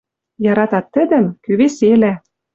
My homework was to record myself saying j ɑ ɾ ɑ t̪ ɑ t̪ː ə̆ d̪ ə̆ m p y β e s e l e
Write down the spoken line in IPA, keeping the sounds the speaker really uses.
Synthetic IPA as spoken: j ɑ ɾ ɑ t̪ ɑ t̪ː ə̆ d̪ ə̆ m k y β e s e l æ

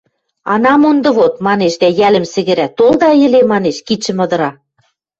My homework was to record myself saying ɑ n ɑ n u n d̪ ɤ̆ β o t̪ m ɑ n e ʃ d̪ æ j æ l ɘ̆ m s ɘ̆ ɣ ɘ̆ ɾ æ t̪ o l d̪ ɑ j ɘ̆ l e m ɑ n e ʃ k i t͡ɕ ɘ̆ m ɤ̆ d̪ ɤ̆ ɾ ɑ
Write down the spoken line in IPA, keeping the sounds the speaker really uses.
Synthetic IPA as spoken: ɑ n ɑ m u n d̪ ɤ̆ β o t̪ m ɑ n e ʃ d̪ æ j æ l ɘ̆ m s ɘ̆ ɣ ɘ̆ ɾ æ t̪ o l d̪ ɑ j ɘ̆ l e m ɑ n e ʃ k i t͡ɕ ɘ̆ m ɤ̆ d̪ ɤ̆ ɾ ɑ

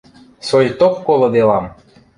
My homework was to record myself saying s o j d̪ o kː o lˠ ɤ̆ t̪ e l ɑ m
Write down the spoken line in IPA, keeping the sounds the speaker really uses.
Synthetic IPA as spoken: s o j t̪ o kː o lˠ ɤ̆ d̪ e l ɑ m

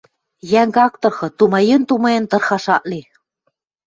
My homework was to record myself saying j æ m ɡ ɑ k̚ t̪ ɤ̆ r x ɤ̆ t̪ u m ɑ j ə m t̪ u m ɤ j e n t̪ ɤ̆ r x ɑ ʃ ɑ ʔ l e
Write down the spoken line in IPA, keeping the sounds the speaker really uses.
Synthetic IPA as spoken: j æ ŋ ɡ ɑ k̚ t̪ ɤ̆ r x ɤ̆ t̪ u m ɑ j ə n t̪ u m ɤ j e n t̪ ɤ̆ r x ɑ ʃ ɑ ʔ l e

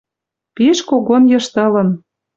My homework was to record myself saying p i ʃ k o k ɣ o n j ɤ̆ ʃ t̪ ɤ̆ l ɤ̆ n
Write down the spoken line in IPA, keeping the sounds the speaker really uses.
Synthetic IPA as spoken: p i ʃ k o ɣ o n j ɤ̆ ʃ t̪ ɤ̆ l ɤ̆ n

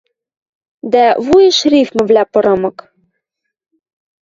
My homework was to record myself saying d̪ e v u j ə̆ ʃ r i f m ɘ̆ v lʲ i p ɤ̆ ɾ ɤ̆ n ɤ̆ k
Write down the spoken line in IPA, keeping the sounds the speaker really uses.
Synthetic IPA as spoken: d̪ æ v u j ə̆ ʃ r i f m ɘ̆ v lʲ æ p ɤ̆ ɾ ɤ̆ m ɤ̆ k

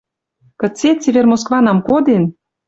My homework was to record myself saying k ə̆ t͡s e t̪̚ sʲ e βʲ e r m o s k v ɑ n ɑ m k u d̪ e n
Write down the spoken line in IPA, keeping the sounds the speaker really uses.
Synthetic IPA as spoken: k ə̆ t͡s e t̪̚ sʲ e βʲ e r m o s k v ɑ n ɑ m k o d̪ e n

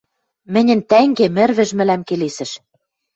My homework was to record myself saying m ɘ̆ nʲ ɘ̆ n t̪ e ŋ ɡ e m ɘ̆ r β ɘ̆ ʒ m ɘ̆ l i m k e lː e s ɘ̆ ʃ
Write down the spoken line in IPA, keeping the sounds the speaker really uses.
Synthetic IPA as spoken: m ɘ̆ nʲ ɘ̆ n t̪ æ ŋ ɡ e m ɘ̆ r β ɘ̆ ʒ m ɘ̆ l æ m k e l e s ɘ̆ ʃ

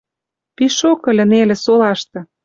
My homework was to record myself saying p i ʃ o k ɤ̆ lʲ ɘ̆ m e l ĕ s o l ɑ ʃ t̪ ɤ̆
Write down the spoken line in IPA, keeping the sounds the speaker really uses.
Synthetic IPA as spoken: p i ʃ o k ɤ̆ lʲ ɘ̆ n e l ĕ s o l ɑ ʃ t̪ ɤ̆

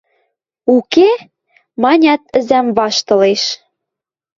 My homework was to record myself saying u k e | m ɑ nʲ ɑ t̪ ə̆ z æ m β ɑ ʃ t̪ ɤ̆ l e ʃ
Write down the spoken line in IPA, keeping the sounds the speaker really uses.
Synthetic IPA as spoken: u k e | m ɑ nʲ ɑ t̪ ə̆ z æ m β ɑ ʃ t̪ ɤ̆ l e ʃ

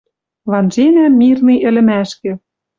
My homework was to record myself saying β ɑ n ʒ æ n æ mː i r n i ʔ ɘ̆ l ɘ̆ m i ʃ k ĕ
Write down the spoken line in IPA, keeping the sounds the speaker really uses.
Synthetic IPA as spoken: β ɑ n ʒ e n æ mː i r n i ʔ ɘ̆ l ɘ̆ m æ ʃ k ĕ

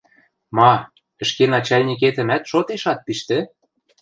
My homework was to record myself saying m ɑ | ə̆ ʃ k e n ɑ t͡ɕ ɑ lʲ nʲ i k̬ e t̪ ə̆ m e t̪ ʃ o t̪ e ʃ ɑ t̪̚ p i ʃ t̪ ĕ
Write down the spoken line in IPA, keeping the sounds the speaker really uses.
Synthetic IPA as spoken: m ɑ | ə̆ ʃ k e n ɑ t͡ɕ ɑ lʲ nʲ i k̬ e t̪ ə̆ m æ t̪ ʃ o t̪ e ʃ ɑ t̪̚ p i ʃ t̪ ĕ

